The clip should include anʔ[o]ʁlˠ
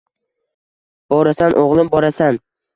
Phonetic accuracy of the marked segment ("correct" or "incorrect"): correct